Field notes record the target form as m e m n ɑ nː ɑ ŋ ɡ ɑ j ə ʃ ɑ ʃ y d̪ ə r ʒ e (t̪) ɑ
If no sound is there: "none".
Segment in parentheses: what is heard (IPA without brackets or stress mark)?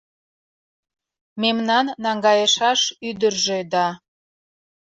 d̪